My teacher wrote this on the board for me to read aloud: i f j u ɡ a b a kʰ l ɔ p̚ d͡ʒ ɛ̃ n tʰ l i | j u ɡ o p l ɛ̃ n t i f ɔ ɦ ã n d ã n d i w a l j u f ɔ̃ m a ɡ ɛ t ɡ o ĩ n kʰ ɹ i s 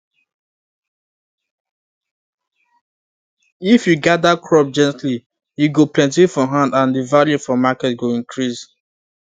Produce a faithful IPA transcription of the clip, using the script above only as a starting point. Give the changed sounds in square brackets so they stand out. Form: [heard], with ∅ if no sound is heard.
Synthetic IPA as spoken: i f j u ɡ a [d] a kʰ [ɹ] ɔ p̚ d͡ʒ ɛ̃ n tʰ l i | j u ɡ o p l ɛ̃ n t i f ɔ ɦ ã n d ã n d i [v] a l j u f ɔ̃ m a [k] ɛ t ɡ o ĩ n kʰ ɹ i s